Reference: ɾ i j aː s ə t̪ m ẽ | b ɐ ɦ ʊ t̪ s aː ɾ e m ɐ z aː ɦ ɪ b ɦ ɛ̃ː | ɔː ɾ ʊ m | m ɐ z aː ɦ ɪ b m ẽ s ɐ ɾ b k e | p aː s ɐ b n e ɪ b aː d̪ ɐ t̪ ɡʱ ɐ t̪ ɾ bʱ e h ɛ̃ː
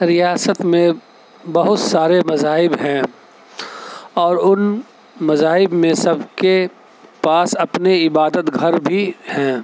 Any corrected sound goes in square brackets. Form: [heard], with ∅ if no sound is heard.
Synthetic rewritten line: ɾ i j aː s ə t̪ m ẽ | b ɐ ɦ ʊ t̪ s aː ɾ e m ɐ z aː ɦ ɪ b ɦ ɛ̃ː | ɔː ɾ ʊ [n] | m ɐ z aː ɦ ɪ b m ẽ s ɐ [∅] b k e | p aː s ɐ [p] n e ɪ b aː d̪ [ə] t̪ ɡʱ ɐ [∅] ɾ bʱ [i] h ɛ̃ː